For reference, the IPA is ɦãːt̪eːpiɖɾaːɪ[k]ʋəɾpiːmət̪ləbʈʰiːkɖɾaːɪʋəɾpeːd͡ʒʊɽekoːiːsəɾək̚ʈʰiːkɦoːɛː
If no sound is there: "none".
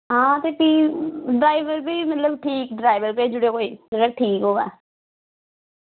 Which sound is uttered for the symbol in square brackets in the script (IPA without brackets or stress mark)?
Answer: none